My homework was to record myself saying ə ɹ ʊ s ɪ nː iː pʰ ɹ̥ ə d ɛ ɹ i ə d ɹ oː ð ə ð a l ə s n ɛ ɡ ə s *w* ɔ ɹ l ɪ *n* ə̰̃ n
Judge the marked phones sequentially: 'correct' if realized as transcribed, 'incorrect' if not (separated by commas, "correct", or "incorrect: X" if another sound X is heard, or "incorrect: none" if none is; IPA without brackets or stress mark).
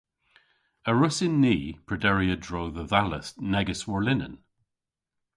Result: correct, correct